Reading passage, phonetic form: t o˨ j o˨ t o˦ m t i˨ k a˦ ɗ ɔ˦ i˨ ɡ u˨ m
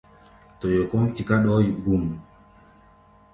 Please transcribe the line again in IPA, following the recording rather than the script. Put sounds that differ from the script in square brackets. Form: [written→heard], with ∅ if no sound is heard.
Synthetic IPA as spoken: t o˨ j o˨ [t→k] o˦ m t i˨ k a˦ ɗ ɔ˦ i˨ ɡ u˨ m